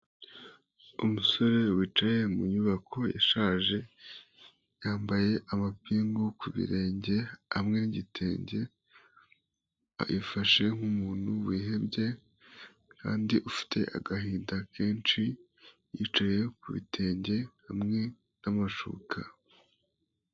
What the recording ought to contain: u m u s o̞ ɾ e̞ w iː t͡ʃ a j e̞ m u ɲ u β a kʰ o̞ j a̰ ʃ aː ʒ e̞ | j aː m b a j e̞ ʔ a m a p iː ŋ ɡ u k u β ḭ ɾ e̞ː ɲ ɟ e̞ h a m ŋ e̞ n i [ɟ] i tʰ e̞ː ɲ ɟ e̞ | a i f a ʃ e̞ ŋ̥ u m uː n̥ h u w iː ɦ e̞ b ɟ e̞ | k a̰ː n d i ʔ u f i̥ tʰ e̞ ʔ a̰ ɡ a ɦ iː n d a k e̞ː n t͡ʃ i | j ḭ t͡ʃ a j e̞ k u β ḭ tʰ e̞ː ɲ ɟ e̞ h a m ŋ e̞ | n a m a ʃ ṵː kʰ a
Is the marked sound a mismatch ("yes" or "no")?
no